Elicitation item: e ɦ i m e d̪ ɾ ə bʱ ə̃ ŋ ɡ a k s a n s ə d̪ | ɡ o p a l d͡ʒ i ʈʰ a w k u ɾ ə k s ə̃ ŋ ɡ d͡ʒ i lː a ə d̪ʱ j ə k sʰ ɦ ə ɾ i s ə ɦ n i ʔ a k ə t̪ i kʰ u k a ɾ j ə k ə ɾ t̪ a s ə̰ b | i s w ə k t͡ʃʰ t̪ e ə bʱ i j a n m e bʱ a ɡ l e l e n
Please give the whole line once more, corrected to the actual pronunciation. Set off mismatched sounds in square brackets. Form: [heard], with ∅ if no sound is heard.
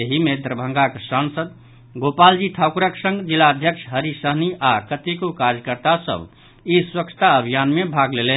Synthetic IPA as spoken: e ɦ i m e d̪ ɾ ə bʱ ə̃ ŋ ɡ a k s a n s ə d̪ | ɡ o p a l d͡ʒ i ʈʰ a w k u ɾ ə k s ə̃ ŋ ɡ d͡ʒ i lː a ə d̪ʱ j ə k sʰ ɦ ə ɾ i s ə ɦ n i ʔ a k ə t̪ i [k] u k a ɾ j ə k ə ɾ t̪ a s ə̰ b | i s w ə k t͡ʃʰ t̪ [a] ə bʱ i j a n m e bʱ a ɡ l e l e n

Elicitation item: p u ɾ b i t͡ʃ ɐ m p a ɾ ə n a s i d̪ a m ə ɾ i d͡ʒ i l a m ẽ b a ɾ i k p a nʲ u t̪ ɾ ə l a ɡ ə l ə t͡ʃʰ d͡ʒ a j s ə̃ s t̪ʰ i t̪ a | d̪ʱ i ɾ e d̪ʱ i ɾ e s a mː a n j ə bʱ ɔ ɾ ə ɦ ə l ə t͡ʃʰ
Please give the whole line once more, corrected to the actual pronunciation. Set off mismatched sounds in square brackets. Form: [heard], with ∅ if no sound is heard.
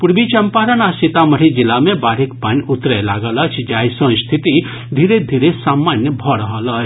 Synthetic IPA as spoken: p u ɾ b i t͡ʃ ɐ m p a ɾ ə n a s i [t̪] a m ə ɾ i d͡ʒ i l a m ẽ b a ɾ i k p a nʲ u t̪ ɾ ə l a ɡ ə l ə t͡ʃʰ d͡ʒ a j s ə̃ s t̪ʰ i t̪ [i] | d̪ʱ i ɾ e d̪ʱ i ɾ e s a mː a n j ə bʱ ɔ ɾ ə ɦ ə l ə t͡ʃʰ

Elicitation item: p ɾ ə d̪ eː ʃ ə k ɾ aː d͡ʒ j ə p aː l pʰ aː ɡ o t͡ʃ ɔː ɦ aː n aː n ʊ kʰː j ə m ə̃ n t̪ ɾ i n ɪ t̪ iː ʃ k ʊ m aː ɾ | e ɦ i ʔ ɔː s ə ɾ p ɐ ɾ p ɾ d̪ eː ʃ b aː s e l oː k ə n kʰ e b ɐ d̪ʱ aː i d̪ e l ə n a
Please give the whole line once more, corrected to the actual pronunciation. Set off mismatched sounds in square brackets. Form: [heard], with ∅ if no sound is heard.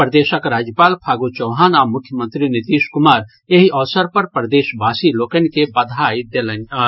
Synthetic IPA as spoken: p ɾ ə d̪ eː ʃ ə k ɾ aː d͡ʒ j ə p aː l pʰ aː ɡ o t͡ʃ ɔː ɦ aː n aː [m] ʊ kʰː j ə m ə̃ n t̪ ɾ i n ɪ t̪ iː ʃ k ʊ m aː ɾ | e ɦ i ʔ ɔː s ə ɾ p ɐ ɾ p ɾ d̪ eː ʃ b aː s [i] l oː k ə n [k] e b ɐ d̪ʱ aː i d̪ e l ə n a

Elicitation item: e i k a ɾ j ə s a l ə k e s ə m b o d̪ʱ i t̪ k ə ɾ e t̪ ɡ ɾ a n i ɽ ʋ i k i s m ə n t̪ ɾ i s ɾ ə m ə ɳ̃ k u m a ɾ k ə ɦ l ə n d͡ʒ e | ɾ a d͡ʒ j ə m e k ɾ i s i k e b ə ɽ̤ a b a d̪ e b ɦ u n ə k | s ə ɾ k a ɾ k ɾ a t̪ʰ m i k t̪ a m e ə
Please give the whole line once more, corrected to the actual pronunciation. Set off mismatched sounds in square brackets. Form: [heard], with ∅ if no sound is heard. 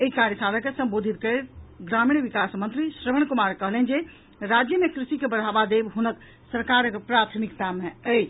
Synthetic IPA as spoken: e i k a ɾ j ə s a l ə k e s ə m b o d̪ʱ i t̪ k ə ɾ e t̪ ɡ ɾ a [m] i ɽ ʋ i k [a] s m ə n t̪ ɾ i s ɾ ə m ə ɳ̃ k u m a ɾ k ə ɦ l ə n d͡ʒ e | ɾ a d͡ʒ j ə m e k ɾ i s i k e b ə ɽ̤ a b a d̪ e b ɦ u n ə k | s ə ɾ k a ɾ [p] ɾ a t̪ʰ m i k t̪ a m e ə

